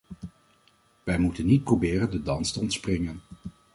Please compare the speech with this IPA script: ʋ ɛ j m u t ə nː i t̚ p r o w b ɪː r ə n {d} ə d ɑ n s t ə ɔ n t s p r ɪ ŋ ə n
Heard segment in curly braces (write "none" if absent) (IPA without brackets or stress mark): d